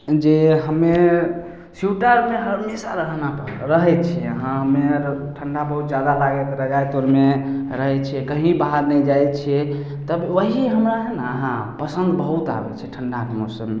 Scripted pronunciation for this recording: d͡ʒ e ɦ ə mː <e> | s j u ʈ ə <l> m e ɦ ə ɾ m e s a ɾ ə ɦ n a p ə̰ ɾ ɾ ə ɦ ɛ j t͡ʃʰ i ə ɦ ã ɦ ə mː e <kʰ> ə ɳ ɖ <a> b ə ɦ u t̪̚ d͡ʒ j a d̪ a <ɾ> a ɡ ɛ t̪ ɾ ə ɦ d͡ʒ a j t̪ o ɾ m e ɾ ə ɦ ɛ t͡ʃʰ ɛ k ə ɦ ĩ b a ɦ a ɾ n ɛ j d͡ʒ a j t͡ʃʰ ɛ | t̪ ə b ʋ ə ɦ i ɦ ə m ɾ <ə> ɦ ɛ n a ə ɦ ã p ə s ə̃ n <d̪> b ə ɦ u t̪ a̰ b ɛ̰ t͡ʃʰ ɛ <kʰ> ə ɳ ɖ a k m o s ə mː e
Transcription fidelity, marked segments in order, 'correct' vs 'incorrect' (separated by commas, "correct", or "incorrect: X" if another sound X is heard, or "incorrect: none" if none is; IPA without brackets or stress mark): correct, incorrect: ɾ, incorrect: ʈʰ, correct, incorrect: l, incorrect: a, correct, incorrect: ʈʰ